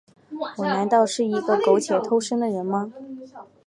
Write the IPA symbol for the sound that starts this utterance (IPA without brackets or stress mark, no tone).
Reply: w